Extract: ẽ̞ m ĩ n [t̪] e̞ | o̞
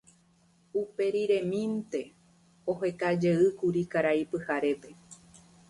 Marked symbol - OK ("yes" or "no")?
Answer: yes